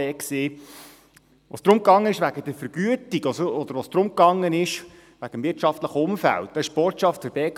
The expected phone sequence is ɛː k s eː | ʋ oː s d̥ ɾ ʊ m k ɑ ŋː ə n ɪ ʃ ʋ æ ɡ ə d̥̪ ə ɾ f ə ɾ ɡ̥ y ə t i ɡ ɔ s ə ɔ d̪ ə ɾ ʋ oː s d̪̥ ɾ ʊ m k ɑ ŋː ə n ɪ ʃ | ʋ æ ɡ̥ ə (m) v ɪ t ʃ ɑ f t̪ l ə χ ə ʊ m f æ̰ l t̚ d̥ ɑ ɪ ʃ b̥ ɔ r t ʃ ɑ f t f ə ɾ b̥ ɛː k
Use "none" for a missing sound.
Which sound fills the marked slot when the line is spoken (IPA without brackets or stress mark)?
m